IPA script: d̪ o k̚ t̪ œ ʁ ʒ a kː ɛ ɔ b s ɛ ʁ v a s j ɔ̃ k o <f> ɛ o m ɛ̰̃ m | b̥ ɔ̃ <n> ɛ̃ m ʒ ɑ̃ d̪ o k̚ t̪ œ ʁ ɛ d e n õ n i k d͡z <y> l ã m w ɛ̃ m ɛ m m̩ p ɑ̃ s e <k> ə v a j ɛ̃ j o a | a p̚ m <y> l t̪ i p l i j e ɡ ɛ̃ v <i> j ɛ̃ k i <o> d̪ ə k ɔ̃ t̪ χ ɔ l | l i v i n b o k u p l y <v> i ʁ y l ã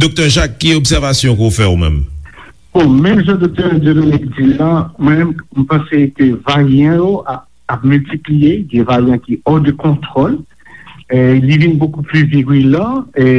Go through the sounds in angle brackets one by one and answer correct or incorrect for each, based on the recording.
correct, incorrect: m, incorrect: i, correct, correct, incorrect: a, incorrect: ɔ, correct

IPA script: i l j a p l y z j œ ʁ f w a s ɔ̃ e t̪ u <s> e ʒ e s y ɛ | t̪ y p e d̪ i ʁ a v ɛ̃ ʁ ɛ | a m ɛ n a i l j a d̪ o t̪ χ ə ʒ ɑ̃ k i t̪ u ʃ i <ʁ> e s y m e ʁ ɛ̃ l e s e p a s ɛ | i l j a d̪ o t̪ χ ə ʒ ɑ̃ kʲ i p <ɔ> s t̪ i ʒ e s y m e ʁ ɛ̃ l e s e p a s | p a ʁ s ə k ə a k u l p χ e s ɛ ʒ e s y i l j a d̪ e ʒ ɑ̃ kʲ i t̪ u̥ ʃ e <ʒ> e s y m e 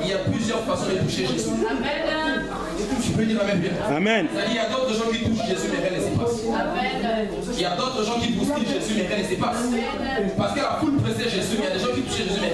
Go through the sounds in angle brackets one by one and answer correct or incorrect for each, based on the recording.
incorrect: ʃ, incorrect: ʒ, incorrect: u, correct

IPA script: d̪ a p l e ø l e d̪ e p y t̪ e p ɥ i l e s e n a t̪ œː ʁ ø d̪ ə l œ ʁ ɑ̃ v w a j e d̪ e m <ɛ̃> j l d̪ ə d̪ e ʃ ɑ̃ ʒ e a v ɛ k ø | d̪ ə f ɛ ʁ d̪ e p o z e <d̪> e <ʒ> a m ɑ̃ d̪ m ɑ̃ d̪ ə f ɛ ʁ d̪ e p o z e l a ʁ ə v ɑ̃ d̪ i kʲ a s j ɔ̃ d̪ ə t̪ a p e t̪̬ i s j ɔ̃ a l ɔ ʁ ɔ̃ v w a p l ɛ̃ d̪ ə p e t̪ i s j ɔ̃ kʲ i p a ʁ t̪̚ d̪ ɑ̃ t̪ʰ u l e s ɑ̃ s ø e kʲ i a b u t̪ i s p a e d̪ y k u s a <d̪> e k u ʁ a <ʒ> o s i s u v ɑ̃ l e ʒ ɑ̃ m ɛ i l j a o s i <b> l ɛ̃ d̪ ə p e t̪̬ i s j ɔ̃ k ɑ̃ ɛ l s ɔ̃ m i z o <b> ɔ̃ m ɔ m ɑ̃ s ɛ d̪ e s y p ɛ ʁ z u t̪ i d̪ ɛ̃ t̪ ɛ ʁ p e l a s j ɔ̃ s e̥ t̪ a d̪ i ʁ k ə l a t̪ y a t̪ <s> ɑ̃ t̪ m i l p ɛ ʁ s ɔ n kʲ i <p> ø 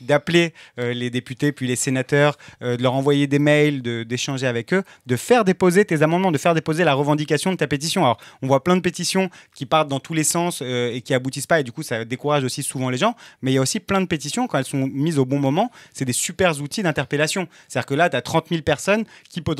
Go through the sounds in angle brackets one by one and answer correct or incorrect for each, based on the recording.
incorrect: ɛ, incorrect: t̪, incorrect: z, correct, correct, incorrect: p, correct, incorrect: χ, correct

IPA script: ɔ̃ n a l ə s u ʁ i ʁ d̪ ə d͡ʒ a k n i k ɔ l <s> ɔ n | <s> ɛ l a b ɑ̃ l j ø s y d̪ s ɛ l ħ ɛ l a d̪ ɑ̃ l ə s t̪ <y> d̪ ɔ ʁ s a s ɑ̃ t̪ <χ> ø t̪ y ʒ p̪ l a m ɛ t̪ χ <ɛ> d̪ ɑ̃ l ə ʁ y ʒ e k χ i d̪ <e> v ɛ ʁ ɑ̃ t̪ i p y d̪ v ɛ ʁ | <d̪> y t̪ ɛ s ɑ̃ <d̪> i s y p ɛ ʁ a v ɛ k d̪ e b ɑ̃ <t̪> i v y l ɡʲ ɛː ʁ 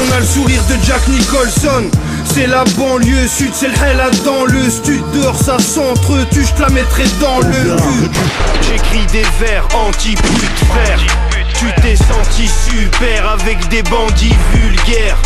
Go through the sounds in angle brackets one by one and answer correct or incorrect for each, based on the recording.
correct, correct, correct, correct, correct, correct, incorrect: t̪, incorrect: t̪, incorrect: d̪

